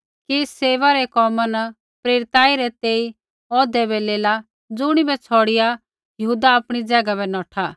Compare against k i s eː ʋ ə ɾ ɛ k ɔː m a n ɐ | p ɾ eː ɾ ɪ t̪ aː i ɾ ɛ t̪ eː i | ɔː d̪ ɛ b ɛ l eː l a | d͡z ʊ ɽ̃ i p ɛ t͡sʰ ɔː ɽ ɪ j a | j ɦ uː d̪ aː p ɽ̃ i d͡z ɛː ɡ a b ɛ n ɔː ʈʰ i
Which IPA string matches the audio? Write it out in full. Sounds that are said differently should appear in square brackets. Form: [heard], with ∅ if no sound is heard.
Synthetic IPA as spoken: k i s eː ʋ [a] ɾ ɛ k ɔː m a n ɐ | p ɾ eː ɾ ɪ t̪ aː i ɾ ɛ t̪ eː i | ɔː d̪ ɛ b ɛ l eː l a | d͡z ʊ ɽ̃ i [b] ɛ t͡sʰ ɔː ɽ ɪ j a | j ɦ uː d̪ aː p ɽ̃ i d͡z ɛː ɡ a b ɛ n ɔː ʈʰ [a]